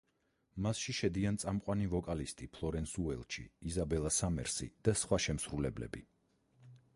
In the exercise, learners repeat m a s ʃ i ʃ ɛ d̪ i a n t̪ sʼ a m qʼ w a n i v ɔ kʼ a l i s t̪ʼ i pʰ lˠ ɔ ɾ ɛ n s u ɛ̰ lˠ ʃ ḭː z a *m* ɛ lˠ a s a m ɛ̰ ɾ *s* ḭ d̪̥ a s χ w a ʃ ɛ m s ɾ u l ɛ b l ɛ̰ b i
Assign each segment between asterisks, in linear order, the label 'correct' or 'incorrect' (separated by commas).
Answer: incorrect, correct